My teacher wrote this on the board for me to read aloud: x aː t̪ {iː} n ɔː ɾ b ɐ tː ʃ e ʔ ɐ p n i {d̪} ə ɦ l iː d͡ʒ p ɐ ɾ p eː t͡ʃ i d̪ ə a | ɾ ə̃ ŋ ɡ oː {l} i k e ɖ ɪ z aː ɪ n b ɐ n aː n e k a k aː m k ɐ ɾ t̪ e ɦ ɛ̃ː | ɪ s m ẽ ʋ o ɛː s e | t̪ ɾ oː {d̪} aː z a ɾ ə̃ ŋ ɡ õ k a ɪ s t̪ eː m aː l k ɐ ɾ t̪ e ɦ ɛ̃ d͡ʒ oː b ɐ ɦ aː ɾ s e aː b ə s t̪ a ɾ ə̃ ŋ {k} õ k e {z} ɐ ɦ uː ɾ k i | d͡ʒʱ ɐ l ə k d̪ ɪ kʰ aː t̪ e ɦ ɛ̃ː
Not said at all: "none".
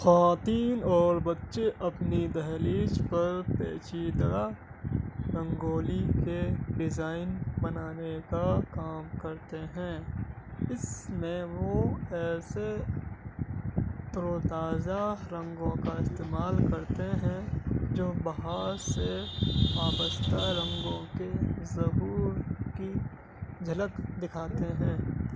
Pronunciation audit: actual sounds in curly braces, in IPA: iː, d̪, l, t̪, ɡ, z

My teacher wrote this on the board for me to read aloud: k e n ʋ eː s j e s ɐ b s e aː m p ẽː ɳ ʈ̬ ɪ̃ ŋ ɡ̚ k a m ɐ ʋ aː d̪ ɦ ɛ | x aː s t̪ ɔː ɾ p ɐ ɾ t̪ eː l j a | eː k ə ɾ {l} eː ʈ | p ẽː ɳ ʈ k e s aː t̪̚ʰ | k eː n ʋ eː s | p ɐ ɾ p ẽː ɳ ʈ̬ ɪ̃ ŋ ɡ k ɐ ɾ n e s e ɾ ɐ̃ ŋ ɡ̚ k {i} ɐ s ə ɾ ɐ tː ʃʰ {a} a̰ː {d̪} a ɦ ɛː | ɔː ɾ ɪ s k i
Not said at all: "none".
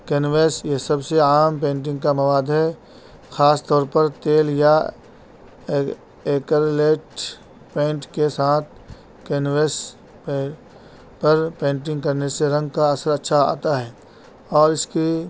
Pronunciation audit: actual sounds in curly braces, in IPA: l, a, a, t̪

